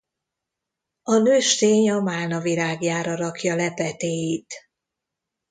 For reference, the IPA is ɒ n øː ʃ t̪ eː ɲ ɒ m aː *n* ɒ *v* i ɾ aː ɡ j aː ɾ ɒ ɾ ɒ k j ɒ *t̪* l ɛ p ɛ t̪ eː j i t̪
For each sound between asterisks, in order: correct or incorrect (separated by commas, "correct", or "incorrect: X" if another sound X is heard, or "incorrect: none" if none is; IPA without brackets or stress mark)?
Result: correct, correct, incorrect: none